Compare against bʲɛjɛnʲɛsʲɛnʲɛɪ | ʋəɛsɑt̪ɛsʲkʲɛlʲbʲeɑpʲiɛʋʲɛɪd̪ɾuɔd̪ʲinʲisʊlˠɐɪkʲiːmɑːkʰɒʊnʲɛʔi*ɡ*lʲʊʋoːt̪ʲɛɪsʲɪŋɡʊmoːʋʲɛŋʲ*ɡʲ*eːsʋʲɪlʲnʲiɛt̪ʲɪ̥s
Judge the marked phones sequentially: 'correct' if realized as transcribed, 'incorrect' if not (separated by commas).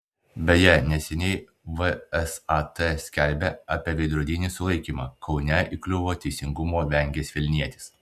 incorrect, correct